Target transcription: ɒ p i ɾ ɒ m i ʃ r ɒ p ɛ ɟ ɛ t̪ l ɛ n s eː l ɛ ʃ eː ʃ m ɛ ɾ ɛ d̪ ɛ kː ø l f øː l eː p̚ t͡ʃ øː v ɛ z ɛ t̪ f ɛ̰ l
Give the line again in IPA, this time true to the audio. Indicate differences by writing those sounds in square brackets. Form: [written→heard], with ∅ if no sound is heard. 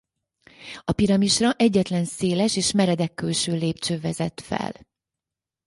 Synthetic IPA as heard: ɒ p i ɾ ɒ m i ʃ r ɒ [p→ʔ] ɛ [ɟ→ɟː] ɛ t̪ l ɛ n s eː l ɛ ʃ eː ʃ m ɛ ɾ ɛ d̪ ɛ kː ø l [f→ʃ] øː l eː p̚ t͡ʃ øː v ɛ z ɛ t̪ f ɛ̰ l